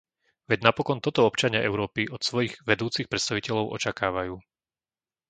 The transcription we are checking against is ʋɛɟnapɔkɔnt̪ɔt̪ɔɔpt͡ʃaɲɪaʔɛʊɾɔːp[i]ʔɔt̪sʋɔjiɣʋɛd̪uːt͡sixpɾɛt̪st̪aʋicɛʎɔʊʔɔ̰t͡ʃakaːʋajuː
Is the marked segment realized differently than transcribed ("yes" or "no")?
no